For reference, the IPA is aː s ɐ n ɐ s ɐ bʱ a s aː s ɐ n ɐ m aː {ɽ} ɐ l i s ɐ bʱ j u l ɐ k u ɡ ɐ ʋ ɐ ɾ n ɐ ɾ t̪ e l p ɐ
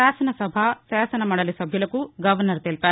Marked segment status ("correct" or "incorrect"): correct